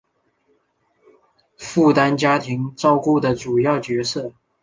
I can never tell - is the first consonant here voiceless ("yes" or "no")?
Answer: yes